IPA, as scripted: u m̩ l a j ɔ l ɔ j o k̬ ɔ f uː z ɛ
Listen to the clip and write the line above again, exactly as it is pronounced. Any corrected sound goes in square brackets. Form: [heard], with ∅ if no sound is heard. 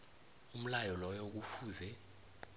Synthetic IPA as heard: u m̩ l a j ɔ l ɔ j o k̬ [u] f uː z ɛ